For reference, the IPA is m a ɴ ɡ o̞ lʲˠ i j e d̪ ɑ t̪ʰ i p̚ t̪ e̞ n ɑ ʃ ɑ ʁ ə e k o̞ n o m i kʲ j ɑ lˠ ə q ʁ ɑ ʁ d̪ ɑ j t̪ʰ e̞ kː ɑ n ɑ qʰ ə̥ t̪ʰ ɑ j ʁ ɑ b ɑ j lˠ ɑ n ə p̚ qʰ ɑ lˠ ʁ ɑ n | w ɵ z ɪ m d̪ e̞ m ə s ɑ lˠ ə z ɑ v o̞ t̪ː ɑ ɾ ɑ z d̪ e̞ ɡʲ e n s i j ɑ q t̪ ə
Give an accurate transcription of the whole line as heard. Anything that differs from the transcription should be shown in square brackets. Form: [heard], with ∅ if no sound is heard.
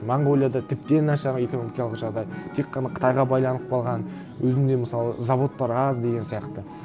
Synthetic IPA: m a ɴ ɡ o̞ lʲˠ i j [a] d̪ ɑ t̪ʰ [ɪ] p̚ t̪ e̞ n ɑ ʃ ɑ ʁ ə e k o̞ n o m i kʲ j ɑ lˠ ə q [ʒ] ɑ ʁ d̪ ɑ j t̪ʰ e̞ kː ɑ n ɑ qʰ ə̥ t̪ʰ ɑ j ʁ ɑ b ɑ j lˠ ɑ n ə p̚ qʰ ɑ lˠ ʁ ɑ n | w ɵ z ɪ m d̪ e̞ m ə s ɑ lˠ ə z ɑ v o̞ t̪ː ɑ ɾ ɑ z d̪ e̞ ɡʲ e n s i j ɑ q t̪ ə

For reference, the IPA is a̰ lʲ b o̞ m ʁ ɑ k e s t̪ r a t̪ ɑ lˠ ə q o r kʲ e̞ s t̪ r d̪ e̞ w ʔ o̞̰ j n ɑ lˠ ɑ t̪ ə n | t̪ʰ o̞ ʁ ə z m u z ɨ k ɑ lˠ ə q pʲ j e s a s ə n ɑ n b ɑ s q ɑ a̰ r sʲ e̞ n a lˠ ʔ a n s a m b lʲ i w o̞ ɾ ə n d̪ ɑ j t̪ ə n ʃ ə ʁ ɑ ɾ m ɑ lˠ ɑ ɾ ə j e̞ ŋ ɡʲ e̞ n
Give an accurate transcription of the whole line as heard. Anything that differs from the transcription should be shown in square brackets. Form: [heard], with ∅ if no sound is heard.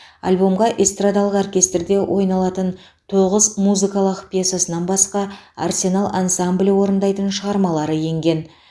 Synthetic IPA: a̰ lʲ b o̞ m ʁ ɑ [ʔ] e s t̪ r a [d̪] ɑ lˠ ə q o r kʲ e̞ s t̪ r d̪ e̞ w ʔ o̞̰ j n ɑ lˠ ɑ t̪ ə n | t̪ʰ o̞ ʁ ə z m u z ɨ k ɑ lˠ ə q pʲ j e s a s ə n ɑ n b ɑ s q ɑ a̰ r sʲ e̞ n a lˠ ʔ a n s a m b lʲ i w o̞ ɾ ə n d̪ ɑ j t̪ ə n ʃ ə ʁ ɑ ɾ m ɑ lˠ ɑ ɾ ə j e̞ ŋ ɡʲ e̞ n

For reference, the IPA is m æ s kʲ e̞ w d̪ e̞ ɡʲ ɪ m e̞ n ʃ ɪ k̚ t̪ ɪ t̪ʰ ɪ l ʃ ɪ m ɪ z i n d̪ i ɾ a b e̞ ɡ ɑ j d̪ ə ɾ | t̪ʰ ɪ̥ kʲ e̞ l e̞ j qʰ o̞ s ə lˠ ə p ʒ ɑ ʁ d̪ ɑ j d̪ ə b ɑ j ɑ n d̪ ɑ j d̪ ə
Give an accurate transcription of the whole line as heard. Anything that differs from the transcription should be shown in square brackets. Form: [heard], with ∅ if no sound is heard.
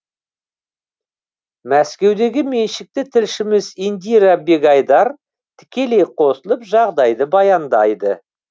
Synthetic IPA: m æ s kʲ e̞ w d̪ e̞ ɡʲ ɪ m e̞ n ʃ ɪ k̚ t̪ ɪ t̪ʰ ɪ l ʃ ɪ m ɪ z i n d̪ i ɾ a b e̞ ɡ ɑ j d̪ [ɑ] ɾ | t̪ʰ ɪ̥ kʲ e̞ l e̞ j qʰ o̞ s ə lˠ ə p ʒ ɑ ʁ d̪ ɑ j d̪ ə b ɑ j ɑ n d̪ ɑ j d̪ ə

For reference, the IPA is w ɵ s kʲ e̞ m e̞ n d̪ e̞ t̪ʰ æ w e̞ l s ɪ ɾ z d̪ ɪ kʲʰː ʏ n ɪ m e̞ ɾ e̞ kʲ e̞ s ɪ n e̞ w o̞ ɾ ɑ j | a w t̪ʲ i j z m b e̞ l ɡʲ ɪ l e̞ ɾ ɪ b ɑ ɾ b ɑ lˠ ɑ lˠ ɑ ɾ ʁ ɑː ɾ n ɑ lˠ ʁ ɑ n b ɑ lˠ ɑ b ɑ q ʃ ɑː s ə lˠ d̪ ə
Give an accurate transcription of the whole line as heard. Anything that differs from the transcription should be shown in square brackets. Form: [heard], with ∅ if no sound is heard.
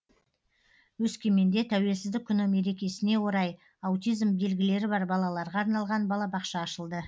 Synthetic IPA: w ɵ s kʲ e̞ m e̞ n d̪ e̞ t̪ʰ æ w e̞ l s ɪ [∅] z d̪ ɪ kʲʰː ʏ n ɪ m e̞ ɾ e̞ kʲ e̞ s ɪ n e̞ w o̞ ɾ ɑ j | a w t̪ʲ i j z m b e̞ l ɡʲ ɪ l e̞ ɾ ɪ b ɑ ɾ b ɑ lˠ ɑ lˠ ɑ ɾ ʁ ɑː ɾ n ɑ lˠ ʁ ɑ n b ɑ lˠ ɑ b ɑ q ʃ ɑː [ʃ] ə lˠ d̪ ə

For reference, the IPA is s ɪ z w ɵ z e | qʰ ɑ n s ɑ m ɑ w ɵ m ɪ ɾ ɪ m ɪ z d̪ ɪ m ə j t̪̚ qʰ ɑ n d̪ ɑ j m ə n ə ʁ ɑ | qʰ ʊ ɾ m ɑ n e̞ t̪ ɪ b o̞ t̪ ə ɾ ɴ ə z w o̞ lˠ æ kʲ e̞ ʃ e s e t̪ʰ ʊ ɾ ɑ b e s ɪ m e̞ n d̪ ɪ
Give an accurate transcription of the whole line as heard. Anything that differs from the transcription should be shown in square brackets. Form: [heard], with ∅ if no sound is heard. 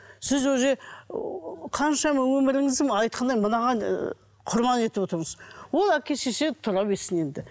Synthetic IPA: s ɪ z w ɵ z e | qʰ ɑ n [ʃ] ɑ m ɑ w ɵ m ɪ ɾ ɪ [ŋ] ɪ z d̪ ɪ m [ɑ] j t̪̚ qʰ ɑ n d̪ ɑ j m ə n [ɑ] ʁ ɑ | qʰ ʊ ɾ m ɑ n e̞ t̪ ɪ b o̞ t̪ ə ɾ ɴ ə z w o̞ lˠ æ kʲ e̞ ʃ e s e t̪ʰ ʊ ɾ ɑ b e s ɪ [n] e̞ n d̪ ɪ

